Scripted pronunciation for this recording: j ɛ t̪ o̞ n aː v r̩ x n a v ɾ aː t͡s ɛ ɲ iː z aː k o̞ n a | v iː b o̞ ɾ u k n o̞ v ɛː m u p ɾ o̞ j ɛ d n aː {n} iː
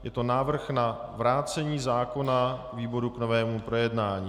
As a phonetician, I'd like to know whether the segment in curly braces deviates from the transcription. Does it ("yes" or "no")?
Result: yes